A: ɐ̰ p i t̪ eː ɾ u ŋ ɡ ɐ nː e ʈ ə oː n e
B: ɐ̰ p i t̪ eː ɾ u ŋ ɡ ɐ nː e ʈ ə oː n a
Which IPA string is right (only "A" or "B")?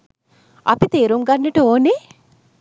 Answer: A